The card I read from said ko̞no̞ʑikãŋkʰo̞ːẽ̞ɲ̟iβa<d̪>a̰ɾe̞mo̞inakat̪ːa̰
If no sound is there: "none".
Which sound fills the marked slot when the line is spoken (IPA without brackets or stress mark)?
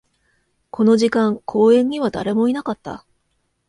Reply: d̪